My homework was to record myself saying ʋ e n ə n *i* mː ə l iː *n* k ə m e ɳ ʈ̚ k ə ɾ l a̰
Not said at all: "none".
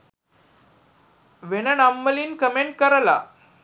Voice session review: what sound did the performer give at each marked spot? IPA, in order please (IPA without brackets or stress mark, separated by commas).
a, n